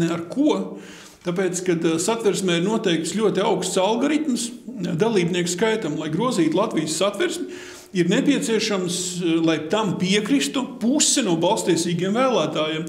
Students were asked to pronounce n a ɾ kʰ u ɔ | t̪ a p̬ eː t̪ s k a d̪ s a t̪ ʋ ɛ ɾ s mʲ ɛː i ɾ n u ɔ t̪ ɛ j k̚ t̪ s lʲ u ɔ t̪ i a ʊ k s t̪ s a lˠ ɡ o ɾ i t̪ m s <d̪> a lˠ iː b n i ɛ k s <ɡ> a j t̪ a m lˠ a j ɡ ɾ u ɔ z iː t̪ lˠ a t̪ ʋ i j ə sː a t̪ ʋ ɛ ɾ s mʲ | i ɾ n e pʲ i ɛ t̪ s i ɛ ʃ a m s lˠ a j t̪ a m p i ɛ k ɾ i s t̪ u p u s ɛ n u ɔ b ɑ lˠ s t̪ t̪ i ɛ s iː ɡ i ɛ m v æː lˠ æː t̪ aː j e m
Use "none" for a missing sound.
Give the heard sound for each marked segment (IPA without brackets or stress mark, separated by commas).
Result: d̪, k